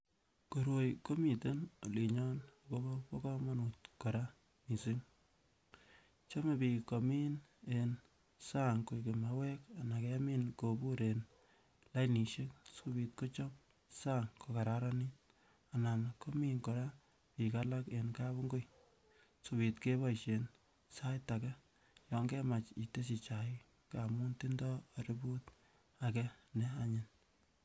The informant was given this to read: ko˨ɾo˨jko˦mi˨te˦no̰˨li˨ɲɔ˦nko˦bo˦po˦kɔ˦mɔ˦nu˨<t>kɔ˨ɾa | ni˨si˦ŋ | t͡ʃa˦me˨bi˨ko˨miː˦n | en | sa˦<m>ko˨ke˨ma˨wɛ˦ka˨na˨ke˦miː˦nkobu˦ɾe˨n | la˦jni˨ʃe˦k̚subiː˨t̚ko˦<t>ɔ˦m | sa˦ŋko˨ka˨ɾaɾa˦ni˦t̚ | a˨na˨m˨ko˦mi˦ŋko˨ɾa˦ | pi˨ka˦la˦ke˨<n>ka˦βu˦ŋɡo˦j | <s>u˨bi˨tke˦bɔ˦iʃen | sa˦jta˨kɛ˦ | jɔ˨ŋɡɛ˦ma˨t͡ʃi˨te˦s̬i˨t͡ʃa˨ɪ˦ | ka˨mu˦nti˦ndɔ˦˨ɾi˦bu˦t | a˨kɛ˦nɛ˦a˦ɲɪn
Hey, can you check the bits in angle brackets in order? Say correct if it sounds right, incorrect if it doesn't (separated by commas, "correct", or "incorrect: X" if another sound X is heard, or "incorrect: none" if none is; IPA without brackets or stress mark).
correct, incorrect: ŋ, incorrect: t͡ʃ, correct, correct